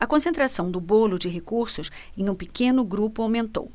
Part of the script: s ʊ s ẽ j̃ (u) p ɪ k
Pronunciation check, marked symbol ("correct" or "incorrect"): incorrect